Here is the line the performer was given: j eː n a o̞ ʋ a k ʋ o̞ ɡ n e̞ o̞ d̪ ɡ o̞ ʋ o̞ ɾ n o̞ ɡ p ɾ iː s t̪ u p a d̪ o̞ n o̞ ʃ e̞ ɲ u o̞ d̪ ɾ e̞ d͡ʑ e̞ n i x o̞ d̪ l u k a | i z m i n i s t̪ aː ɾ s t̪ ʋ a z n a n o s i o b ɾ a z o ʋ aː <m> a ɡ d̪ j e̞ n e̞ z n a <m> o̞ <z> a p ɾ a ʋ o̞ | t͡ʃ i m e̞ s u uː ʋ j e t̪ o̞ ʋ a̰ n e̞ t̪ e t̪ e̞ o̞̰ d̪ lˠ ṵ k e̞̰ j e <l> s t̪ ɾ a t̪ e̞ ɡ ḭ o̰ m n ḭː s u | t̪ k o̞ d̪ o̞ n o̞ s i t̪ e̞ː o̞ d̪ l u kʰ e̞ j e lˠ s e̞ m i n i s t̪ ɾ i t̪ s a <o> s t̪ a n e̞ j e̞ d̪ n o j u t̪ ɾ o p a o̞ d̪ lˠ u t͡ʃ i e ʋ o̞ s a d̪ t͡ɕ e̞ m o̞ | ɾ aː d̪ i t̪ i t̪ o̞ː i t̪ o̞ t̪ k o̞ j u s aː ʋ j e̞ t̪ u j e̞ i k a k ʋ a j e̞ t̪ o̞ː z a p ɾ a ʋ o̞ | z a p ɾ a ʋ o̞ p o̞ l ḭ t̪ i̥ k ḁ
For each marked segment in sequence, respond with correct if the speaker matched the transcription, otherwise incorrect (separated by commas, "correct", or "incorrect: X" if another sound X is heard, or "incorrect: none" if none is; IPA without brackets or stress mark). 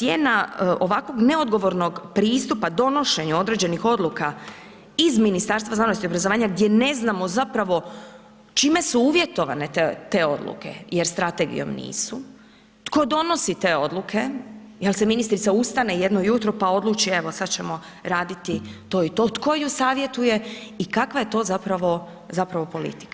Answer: incorrect: ɲ, correct, correct, incorrect: ɾ, incorrect: u